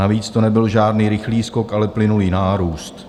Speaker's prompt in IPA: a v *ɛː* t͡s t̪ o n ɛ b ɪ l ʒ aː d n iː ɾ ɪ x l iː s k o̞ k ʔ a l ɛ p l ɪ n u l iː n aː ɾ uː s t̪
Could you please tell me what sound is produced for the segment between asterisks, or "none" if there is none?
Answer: iː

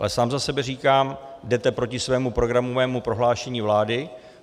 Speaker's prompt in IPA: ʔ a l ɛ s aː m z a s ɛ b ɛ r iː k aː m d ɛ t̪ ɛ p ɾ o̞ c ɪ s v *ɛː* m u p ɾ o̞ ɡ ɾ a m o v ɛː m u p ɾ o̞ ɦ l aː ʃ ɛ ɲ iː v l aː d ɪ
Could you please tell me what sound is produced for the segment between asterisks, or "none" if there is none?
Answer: ɛː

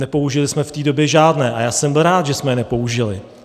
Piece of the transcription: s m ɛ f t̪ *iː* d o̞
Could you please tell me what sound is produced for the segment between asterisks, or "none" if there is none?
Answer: iː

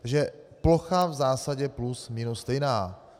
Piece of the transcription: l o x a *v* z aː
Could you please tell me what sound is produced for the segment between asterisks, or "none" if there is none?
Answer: v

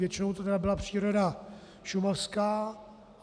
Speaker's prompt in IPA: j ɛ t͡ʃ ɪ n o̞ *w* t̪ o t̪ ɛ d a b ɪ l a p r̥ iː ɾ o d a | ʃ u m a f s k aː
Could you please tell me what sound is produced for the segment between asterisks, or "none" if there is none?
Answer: w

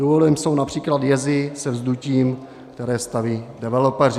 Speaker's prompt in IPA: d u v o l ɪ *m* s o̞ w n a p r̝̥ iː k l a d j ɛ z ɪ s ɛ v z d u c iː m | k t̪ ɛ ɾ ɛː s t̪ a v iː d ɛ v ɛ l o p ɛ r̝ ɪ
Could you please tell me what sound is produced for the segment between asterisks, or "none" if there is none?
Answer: m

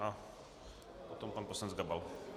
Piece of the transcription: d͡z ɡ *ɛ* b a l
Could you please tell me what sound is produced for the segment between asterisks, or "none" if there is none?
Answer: a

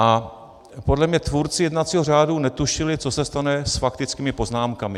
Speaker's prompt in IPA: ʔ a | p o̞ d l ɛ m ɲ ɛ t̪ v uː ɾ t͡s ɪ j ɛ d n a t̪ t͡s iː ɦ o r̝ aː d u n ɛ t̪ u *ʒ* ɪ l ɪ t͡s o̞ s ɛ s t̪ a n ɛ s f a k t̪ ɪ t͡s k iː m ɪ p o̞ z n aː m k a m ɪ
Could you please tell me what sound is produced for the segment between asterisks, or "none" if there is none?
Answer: ʃ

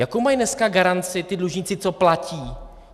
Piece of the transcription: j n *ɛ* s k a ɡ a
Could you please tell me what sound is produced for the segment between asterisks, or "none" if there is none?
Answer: ɛ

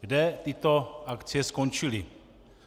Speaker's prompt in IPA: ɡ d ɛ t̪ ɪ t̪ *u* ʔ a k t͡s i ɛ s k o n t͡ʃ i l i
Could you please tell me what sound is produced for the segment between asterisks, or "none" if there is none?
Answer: o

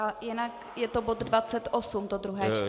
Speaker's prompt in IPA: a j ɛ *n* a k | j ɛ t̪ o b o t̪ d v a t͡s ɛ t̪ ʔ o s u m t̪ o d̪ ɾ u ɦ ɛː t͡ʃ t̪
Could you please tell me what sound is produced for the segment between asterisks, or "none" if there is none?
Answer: n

